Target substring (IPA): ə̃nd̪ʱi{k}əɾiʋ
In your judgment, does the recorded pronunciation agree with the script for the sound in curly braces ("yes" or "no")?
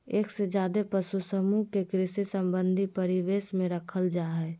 no